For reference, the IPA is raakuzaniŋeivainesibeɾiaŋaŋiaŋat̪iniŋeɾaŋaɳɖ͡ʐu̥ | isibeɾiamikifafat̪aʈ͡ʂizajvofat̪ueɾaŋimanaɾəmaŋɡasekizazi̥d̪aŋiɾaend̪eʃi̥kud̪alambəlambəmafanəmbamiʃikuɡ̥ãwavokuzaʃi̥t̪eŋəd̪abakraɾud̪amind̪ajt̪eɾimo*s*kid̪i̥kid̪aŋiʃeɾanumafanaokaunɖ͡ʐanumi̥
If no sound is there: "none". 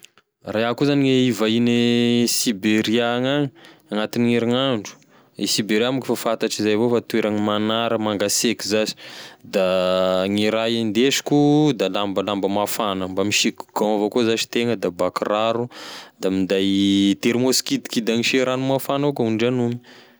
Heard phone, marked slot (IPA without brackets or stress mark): s